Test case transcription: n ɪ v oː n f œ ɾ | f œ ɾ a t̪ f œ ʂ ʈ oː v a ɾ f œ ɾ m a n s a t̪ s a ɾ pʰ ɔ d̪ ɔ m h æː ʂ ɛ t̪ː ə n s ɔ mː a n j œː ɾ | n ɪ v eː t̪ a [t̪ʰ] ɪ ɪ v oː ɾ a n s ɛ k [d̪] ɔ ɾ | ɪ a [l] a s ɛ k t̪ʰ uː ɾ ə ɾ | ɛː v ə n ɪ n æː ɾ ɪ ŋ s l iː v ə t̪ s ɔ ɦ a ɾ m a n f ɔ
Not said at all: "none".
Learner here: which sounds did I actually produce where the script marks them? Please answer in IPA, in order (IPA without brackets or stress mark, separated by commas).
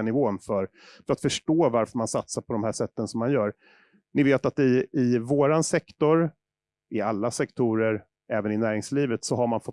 t̪, t̪, lː